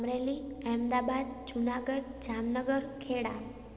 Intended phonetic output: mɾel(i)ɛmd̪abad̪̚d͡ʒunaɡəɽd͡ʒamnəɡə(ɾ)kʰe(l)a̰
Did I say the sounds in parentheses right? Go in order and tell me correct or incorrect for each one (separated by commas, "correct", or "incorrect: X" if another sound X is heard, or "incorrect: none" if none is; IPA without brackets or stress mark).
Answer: correct, correct, incorrect: ɽ